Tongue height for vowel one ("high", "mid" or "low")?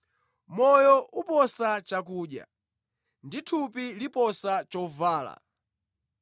mid